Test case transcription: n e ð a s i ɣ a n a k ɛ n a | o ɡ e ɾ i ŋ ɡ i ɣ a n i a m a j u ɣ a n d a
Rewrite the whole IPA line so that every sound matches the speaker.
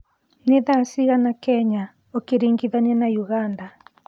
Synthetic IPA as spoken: n e ð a s i ɣ a n a k ɛ ɲ a | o k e ɾ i ŋ ɡ i ð a n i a n a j u ɣ a n d a